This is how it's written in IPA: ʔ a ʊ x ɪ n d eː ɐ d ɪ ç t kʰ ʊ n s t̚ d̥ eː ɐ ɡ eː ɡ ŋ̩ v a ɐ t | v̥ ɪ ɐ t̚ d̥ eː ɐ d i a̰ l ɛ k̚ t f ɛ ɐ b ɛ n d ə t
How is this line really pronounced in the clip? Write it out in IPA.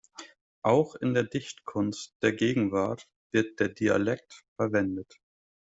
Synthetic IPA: ʔ a ʊ x ɪ n d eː ɐ d ɪ ç t kʰ ʊ n s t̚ d̥ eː ɐ ɡ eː ɡ ŋ̩ v a ɐ t | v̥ ɪ ɐ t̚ d̥ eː ɐ d i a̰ l ɛ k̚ t f ɛ ɐ v ɛ n d ə t